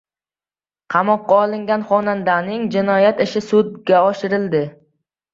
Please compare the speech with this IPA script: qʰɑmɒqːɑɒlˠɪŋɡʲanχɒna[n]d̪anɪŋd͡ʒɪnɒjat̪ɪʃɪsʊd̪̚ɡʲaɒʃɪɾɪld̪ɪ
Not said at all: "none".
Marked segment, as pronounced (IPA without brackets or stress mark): n